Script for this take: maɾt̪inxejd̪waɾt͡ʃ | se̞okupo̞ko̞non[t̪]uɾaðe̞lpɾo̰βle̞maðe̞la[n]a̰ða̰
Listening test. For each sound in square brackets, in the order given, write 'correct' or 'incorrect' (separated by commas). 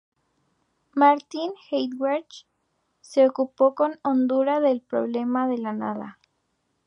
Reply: incorrect, correct